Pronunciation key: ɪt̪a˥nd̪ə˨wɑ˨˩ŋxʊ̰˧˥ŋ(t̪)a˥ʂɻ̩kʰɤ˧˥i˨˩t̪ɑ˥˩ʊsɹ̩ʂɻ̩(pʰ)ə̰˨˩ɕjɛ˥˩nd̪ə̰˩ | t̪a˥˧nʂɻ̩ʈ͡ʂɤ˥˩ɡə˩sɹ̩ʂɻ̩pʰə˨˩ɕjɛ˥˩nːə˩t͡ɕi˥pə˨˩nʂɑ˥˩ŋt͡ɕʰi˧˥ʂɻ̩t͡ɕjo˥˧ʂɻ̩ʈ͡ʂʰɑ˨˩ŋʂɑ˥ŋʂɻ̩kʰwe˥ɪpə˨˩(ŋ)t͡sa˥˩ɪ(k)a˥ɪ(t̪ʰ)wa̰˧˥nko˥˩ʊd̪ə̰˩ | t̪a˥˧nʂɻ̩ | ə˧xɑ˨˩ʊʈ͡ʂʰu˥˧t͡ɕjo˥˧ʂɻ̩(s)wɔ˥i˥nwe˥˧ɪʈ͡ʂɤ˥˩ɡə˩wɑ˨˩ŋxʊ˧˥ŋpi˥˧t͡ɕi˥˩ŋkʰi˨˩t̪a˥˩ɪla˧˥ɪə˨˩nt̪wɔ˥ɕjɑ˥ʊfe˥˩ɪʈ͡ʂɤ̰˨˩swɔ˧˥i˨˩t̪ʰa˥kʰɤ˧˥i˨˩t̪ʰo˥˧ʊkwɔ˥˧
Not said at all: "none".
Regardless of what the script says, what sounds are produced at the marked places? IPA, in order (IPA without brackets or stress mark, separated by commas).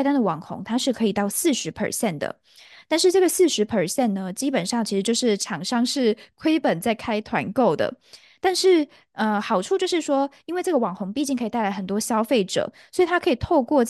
t̪ʰ, pʰ, n, kʰ, t̪ʰ, ʂ